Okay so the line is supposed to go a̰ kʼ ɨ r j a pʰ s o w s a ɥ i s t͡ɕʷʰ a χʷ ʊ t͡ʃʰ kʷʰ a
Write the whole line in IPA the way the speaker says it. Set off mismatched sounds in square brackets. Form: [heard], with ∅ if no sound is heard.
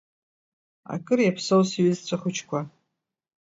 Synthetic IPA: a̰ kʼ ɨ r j a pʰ s o w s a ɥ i [z] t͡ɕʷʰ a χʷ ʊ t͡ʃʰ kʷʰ a